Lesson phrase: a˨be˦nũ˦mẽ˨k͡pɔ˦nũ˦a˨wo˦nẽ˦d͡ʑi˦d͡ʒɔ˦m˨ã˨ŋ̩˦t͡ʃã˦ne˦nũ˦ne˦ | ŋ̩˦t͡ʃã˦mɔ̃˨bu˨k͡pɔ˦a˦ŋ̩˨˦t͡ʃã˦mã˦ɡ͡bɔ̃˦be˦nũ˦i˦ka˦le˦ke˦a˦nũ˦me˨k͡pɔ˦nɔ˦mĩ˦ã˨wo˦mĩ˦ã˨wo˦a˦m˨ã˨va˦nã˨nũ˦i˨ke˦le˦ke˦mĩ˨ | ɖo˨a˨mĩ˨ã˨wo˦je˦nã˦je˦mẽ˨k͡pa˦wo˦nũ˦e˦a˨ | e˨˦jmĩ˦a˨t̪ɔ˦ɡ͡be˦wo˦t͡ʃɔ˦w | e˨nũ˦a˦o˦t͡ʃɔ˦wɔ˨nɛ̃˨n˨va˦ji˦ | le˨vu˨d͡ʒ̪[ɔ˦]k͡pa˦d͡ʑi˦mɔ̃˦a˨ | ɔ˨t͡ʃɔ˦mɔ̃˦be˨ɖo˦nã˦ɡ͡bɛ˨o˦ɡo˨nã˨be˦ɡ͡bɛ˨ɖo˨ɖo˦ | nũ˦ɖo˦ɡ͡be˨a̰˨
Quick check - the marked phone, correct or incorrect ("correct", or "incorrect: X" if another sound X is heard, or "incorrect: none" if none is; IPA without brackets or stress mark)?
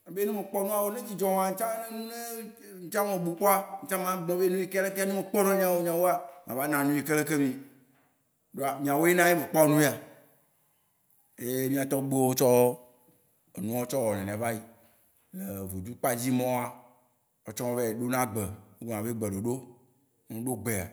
incorrect: u˦